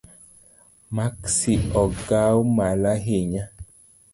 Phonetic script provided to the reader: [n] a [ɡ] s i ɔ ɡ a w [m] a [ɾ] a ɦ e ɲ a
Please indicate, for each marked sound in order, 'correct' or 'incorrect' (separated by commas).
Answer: incorrect, incorrect, correct, incorrect